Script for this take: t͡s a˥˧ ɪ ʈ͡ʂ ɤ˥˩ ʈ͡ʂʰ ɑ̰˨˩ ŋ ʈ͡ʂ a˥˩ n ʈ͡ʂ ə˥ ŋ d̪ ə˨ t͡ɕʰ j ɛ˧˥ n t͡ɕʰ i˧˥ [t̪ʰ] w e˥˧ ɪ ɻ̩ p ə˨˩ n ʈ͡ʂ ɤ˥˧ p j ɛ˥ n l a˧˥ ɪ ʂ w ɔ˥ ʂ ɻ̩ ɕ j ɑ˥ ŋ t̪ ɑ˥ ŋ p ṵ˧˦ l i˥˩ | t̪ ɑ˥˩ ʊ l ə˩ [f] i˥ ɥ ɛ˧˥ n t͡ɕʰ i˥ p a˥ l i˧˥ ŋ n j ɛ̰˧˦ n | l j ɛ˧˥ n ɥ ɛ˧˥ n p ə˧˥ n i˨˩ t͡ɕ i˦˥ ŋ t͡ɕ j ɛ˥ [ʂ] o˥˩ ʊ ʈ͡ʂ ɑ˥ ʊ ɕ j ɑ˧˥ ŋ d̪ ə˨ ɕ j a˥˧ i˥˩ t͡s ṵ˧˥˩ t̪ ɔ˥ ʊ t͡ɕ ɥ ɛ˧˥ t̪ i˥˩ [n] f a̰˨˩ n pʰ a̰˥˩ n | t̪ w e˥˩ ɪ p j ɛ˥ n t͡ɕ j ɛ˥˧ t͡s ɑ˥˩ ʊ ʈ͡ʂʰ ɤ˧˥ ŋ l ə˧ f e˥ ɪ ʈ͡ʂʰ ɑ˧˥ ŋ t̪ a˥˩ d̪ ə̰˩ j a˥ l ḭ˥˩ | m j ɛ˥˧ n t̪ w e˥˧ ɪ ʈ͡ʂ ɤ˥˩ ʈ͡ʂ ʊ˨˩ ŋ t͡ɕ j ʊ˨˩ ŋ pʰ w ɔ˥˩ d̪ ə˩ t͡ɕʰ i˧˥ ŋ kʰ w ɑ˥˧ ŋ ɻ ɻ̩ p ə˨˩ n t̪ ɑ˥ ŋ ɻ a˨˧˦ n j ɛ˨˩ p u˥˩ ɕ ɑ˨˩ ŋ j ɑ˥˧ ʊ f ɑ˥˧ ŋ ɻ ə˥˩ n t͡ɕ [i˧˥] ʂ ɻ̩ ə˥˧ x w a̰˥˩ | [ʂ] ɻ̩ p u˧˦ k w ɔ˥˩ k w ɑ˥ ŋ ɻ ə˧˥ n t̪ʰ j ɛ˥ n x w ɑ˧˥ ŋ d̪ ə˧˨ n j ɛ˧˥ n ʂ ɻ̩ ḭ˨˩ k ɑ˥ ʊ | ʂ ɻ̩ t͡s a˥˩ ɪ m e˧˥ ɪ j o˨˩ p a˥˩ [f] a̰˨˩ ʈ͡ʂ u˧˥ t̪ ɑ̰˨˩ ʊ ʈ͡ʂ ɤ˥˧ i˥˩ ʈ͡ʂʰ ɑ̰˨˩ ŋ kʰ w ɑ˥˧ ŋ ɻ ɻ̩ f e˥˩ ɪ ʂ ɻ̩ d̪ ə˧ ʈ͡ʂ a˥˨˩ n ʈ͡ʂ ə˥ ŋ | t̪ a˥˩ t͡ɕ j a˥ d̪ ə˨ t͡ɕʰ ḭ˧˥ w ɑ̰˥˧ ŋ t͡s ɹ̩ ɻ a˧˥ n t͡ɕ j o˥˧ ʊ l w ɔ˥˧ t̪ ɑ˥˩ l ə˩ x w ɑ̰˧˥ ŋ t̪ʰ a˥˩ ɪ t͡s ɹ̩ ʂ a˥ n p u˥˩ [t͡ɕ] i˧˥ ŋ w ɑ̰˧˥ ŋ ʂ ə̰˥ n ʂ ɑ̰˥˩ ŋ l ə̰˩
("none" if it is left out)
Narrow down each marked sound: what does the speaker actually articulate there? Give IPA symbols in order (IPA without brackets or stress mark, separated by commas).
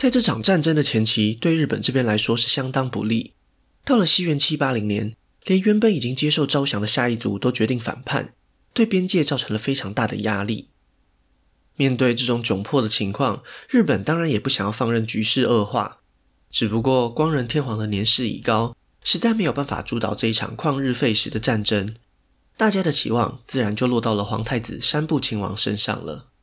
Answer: t̪, ɕ, ʂ, ŋ, y˧˥, ʈ͡ʂ, f, t͡ɕʰ